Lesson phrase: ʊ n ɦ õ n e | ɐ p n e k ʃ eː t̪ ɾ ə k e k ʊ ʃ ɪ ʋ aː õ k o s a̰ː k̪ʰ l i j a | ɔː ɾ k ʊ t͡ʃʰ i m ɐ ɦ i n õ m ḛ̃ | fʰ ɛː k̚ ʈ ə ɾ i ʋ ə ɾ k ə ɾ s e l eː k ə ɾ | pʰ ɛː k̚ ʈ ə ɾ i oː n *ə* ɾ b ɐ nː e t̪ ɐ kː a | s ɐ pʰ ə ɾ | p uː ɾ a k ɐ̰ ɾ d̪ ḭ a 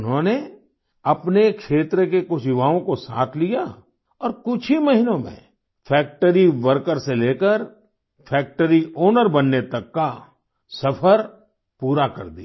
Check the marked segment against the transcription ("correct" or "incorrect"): correct